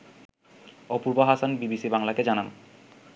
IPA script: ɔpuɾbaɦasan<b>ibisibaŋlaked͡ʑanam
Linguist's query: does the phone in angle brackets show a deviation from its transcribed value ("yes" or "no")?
no